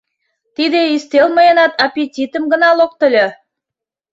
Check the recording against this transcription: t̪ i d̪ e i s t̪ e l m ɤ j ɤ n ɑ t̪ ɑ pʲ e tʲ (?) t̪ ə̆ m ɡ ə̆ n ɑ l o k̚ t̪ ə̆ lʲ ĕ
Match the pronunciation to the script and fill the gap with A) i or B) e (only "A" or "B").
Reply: A